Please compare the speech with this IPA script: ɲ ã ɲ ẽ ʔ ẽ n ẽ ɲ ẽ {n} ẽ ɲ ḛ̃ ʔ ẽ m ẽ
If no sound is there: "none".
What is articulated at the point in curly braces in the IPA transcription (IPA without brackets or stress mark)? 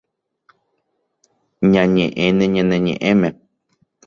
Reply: n